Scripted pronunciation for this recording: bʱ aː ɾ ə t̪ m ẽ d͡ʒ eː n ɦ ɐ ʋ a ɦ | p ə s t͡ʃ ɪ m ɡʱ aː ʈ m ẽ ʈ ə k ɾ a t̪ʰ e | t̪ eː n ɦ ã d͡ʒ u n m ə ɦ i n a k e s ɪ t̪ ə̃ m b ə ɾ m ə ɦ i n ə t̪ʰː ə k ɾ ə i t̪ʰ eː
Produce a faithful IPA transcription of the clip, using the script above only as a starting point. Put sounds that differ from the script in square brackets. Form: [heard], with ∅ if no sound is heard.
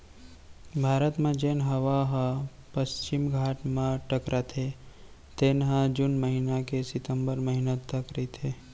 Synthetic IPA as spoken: bʱ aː ɾ ə t̪ m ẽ d͡ʒ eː n ɦ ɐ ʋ a ɦ | p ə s t͡ʃ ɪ m ɡʱ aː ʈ m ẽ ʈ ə k ɾ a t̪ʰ e | t̪ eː n ɦ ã d͡ʒ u n m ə ɦ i n a k e s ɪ t̪ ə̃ m b ə ɾ m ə ɦ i n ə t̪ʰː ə k ɾ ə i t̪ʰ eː